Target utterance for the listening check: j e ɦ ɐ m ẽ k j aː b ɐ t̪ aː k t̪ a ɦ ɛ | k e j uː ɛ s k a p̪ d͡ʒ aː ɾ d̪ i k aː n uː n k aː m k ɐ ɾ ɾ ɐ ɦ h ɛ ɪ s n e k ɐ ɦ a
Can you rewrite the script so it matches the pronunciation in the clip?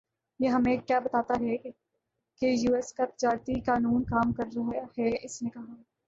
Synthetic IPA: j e ɦ ɐ m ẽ k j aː b ɐ t̪ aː t̪ a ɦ ɛ | k e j uː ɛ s k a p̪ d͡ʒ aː ɾ t̪ i k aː n uː n k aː m k ɐ ɾ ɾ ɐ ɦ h ɛ ɪ s n e k ɐ ɦ a